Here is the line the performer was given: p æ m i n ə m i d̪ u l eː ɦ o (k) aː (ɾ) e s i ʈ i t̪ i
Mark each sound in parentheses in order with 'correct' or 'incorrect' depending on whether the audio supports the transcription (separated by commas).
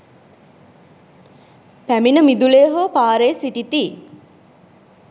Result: incorrect, correct